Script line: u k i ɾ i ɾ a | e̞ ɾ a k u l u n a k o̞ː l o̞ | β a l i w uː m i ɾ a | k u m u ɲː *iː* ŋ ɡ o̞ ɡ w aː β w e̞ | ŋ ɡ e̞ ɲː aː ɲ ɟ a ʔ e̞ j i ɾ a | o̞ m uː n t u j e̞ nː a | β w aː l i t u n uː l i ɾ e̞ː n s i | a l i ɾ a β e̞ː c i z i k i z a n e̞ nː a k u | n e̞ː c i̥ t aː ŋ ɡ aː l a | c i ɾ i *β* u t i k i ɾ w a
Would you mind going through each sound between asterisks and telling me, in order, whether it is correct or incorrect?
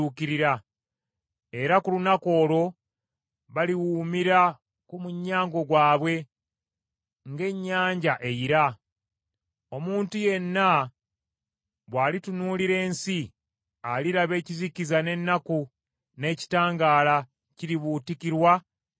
incorrect, correct

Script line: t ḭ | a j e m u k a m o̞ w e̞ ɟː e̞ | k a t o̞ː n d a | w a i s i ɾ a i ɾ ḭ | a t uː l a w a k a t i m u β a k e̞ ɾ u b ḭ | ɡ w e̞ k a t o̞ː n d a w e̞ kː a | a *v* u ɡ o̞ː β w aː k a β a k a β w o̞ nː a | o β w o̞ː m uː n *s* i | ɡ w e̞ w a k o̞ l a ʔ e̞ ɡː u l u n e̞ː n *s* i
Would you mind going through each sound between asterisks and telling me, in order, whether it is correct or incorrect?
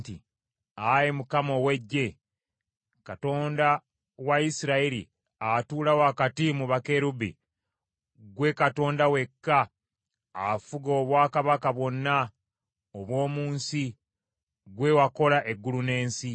incorrect, correct, correct

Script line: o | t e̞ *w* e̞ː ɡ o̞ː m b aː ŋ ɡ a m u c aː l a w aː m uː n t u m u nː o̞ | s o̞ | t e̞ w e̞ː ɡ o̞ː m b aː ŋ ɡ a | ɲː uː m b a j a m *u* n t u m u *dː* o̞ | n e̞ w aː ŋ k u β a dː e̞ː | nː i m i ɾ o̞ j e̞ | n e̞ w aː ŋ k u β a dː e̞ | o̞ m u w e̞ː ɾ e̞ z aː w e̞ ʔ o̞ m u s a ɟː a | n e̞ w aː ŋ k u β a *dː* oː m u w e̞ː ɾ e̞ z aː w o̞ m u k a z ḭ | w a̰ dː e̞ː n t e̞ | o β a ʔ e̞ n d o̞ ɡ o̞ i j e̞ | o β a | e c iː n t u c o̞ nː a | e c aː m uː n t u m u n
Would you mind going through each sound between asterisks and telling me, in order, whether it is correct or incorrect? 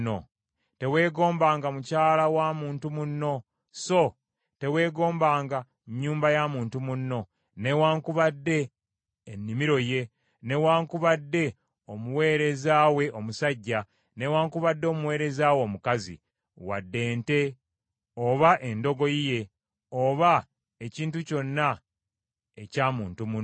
correct, incorrect, incorrect, correct

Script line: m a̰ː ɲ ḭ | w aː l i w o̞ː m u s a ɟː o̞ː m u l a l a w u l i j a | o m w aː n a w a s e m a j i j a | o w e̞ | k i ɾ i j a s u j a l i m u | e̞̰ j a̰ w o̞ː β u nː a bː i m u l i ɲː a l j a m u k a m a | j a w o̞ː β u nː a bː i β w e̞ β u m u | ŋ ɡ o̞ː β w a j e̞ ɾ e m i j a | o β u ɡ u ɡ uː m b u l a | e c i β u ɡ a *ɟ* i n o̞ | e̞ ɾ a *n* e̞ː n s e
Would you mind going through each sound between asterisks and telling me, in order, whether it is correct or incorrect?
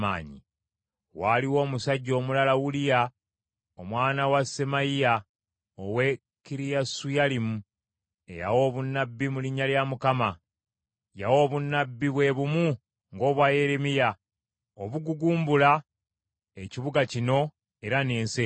incorrect, correct

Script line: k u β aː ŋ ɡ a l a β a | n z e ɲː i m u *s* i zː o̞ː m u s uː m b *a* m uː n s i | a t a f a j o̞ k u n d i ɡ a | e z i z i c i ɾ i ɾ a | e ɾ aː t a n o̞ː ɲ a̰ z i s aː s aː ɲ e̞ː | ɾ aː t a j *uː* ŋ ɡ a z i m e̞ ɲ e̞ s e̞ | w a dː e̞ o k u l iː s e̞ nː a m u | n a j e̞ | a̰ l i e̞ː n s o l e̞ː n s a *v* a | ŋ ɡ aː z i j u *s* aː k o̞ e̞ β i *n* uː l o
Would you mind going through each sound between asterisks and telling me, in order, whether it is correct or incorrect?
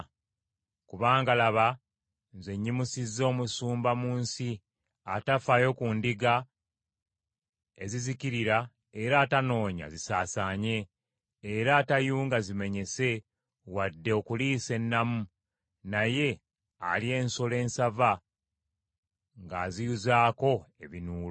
correct, correct, correct, correct, incorrect, correct

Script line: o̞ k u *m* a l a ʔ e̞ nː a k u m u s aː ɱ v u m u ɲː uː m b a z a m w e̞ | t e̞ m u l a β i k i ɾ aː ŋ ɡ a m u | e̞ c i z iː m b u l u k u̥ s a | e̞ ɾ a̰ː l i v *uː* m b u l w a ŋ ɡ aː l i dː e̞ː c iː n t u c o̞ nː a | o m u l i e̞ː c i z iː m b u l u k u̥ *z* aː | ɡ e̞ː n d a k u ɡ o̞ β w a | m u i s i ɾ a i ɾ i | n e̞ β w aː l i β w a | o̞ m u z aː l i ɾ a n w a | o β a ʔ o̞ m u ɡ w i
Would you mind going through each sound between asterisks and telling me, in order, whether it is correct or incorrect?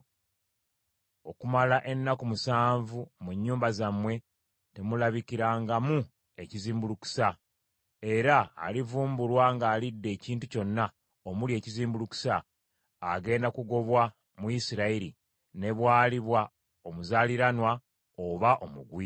correct, correct, incorrect

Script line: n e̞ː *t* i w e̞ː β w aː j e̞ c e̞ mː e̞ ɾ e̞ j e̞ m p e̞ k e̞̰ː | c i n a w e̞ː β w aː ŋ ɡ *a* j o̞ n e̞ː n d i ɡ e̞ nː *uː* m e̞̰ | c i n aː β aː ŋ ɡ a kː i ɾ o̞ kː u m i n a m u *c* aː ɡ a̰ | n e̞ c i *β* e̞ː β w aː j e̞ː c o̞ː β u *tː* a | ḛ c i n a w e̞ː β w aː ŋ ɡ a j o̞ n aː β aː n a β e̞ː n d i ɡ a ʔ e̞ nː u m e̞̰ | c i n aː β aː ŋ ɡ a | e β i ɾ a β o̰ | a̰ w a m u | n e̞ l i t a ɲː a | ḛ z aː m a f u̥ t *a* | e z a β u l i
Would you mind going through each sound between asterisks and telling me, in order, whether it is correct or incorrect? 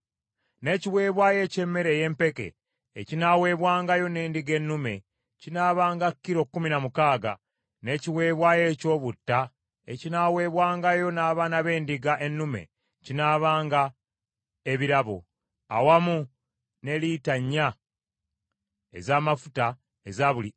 incorrect, correct, incorrect, incorrect, incorrect, correct, correct

